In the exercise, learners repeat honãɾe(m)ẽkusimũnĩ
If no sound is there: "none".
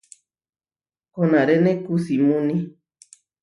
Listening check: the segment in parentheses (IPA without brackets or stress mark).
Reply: n